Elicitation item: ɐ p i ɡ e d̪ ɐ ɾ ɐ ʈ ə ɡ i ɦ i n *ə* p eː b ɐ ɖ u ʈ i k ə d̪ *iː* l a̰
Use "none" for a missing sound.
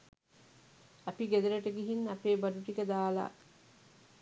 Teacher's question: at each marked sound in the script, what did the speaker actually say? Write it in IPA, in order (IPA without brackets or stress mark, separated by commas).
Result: ɐ, aː